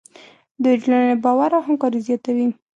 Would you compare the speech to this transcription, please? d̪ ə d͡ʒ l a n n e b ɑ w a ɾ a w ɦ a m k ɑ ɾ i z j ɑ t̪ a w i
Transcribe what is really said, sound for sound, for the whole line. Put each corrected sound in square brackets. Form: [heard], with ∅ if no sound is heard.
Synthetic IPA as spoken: d̪ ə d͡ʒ l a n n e b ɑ w a ɾ a w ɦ a m k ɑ ɾ i z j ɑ t̪ a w i

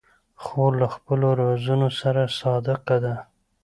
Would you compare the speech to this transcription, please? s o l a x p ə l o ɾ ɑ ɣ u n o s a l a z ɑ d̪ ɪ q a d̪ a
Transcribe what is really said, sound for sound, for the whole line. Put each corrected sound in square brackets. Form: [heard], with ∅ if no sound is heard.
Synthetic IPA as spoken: [x] o l a x p ə l o ɾ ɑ [z] u n o s a [ɾ] a [s] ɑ d̪ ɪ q a d̪ a

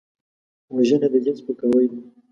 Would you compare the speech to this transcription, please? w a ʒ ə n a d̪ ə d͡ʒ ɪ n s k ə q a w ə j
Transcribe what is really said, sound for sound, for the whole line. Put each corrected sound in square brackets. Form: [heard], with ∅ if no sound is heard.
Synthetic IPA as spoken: w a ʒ ə n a d̪ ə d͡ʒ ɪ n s [p] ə [k] a w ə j

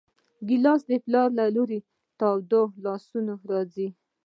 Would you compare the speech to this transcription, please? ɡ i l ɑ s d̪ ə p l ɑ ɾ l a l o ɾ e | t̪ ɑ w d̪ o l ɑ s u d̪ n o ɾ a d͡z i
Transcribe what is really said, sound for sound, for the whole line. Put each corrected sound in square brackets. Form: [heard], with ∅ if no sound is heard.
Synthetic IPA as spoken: ɡ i l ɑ s d̪ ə p l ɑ ɾ l a l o ɾ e | t̪ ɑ w d̪ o l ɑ s u [∅] n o ɾ [ɑ] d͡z i

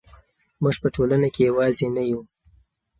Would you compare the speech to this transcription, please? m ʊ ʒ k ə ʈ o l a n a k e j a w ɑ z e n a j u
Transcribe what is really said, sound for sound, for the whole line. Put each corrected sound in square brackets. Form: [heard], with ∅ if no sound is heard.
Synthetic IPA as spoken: m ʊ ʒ [p] ə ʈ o l a n a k e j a w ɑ z e n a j u

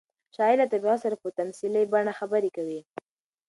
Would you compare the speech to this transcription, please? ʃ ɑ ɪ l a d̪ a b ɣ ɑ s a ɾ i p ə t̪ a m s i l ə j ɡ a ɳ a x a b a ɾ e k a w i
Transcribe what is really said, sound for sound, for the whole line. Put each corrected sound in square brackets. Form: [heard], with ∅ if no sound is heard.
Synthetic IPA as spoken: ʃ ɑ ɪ l a [t̪] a b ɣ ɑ s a ɾ [a] p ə t̪ a m s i l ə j [b] a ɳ a x a b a ɾ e k a w i

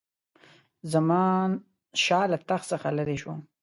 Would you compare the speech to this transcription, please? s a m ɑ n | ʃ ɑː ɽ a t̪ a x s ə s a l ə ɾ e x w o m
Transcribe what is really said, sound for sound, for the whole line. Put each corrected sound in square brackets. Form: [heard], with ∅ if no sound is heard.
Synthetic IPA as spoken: [z] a m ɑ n | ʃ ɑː [l] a t̪ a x s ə [x] a l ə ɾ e [ʃ] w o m

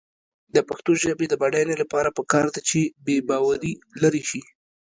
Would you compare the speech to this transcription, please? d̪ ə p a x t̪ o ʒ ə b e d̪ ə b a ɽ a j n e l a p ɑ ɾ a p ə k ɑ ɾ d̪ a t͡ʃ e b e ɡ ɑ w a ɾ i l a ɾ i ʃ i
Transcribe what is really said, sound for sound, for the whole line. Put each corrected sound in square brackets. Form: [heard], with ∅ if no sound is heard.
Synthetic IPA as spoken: d̪ ə p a x t̪ o ʒ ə b e d̪ ə b a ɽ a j n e l a p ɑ ɾ a p ə k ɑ ɾ d̪ a t͡ʃ e b e [b] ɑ w a ɾ i l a ɾ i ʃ i

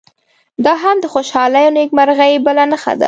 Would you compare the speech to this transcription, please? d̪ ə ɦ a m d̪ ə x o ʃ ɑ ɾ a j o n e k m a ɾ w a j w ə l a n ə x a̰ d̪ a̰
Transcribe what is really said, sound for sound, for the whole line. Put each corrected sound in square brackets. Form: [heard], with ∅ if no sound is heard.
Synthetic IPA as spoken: d̪ [ɑ] ɦ a m d̪ ə x o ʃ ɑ [l] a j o n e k m a ɾ [ɣ] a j [b] ə l a n ə x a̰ d̪ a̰

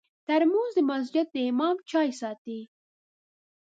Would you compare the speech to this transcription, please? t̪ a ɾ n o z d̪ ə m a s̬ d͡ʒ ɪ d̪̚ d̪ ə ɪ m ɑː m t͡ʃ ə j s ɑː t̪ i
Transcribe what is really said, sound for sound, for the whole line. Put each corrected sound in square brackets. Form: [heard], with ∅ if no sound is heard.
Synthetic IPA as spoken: t̪ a ɾ [m] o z d̪ ə m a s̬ d͡ʒ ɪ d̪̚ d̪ ə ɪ m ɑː m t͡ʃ [ɑ] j s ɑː t̪ i

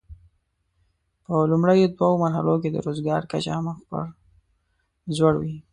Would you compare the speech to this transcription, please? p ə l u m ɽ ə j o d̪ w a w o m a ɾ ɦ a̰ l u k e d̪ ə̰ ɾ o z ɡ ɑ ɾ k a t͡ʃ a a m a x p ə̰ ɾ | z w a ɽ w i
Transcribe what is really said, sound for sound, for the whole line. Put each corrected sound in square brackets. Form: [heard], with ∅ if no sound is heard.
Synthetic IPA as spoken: p ə l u m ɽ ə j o d̪ w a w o m a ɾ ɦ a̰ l [o] k e d̪ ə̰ ɾ o z ɡ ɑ ɾ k a t͡ʃ a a m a x p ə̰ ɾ | z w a ɽ w i

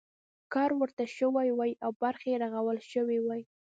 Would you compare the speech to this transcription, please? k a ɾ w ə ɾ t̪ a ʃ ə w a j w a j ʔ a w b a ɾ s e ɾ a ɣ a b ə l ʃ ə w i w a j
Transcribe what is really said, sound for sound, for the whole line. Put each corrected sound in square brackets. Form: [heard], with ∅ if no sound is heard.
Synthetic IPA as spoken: k [ɑ] ɾ w ə ɾ t̪ a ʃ ə w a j w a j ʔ a w b a ɾ [x] e ɾ a ɣ a [w] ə l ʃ ə w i w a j

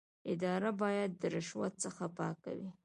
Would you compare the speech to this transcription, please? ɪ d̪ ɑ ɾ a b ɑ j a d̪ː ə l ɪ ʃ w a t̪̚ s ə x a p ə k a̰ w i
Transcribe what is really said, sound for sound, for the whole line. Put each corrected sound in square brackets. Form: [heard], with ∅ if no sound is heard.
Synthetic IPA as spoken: ɪ d̪ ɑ ɾ a b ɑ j a d̪ː ə [ɾ] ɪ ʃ w a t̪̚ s ə x a p [ɑ] k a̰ w i

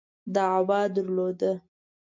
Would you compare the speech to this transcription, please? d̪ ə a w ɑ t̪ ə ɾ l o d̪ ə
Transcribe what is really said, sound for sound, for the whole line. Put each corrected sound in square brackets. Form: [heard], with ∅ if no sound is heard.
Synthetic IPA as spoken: d̪ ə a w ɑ [d̪] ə ɾ l o d̪ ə

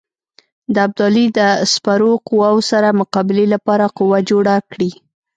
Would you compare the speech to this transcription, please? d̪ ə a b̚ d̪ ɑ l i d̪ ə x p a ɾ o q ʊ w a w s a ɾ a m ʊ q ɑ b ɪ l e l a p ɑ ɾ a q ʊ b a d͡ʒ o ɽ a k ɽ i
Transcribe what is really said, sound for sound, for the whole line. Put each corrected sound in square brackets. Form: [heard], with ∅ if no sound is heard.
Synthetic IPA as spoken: d̪ ə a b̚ d̪ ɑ l i d̪ ə [s] p a ɾ o q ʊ w a w s a ɾ a m ʊ q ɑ b ɪ l e l a p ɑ ɾ a q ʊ [w] a d͡ʒ o ɽ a k ɽ i

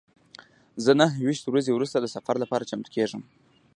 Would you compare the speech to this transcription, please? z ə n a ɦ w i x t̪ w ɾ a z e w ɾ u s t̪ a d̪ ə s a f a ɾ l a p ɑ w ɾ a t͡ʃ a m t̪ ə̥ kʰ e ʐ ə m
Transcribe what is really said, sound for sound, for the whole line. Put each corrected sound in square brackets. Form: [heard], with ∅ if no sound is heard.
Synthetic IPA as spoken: z ə n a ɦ w i [ʃ] t̪ w ɾ a z e w ɾ u s t̪ a d̪ ə s a f a ɾ l a p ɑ [∅] ɾ a t͡ʃ a m t̪ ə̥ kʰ e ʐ ə m

